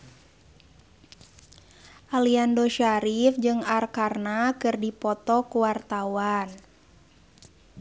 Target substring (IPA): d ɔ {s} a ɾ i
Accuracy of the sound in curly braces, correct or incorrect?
incorrect